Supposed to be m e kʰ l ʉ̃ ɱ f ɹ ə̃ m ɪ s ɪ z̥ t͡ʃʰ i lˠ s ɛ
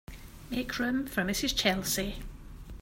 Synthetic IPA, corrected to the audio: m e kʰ ɹ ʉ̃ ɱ f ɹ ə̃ m ɪ s ɪ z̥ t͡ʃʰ ɛ lˠ s i